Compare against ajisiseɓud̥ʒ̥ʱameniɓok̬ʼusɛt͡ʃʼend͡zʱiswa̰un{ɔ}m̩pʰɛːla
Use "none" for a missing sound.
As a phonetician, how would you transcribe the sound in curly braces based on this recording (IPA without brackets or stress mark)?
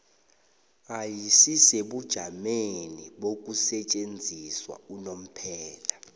o